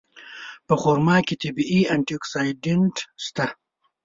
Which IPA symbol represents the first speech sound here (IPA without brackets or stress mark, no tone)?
p